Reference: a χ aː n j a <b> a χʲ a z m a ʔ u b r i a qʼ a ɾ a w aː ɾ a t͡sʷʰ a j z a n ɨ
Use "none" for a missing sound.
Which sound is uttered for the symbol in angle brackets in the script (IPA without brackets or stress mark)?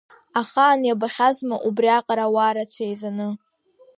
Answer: b